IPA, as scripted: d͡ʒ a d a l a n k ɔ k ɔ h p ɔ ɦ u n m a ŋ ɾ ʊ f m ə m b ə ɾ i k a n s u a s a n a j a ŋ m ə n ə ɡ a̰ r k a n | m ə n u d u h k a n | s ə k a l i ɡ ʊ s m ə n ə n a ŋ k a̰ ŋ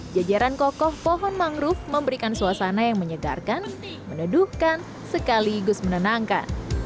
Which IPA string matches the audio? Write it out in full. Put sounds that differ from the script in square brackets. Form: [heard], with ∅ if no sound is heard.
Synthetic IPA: d͡ʒ a [d͡ʒ] a [ɾ] a n k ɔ k ɔ h p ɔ ɦ [ɔ] n m a ŋ ɾ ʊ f m ə m b ə ɾ i k a n s u a s a n a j a ŋ m ə [ɲ] ə ɡ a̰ r k a n | m ə n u d u h k a n | s ə k a l i ɡ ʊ s m ə n ə n a ŋ k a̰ [n]